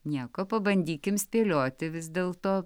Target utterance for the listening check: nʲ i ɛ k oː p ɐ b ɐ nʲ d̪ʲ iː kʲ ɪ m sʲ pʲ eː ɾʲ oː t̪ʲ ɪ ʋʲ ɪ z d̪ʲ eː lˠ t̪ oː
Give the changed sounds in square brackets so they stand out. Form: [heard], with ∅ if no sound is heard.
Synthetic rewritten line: nʲ i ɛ k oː p ɐ b ɐ nʲ d̪ʲ iː kʲ ɪ m sʲ pʲ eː [lʲ] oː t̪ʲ ɪ ʋʲ ɪ z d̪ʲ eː lˠ t̪ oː